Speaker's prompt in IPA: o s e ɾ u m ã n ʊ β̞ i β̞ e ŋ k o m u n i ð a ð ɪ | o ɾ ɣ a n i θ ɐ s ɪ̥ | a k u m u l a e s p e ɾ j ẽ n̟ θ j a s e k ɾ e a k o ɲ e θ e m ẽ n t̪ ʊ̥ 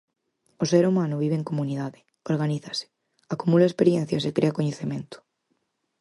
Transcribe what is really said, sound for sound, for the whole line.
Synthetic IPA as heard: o s e ɾ u m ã n ʊ β̞ i β̞ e ŋ k o m u n i ð a ð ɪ | o ɾ ɣ a n i θ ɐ s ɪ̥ | a k u m u l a e s p e ɾ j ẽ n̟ θ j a s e k ɾ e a k o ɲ e θ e m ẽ n t̪ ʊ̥